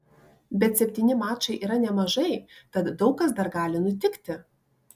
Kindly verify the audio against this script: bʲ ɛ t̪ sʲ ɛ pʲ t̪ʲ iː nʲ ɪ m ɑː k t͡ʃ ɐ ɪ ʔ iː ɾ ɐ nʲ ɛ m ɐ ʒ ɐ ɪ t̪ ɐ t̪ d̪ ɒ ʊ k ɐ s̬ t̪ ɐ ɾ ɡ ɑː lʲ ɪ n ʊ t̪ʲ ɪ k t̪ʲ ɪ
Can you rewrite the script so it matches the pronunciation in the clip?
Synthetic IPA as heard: bʲ ɛ t̪ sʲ ɛ pʲ t̪ʲ iː nʲ ɪ m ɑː t͡ʃ ɐ ɪ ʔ iː ɾ ɐ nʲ ɛ m ɐ ʒ ɐ ɪ t̪ ɐ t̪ d̪ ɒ ʊ k ɐ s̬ d̪ ɐ ɾ ɡ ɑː lʲ ɪ n ʊ t̪ʲ ɪ k t̪ʲ ɪ